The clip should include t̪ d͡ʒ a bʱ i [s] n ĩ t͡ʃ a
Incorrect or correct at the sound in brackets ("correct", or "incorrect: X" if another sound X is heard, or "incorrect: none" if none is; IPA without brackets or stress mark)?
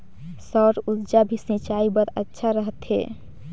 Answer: correct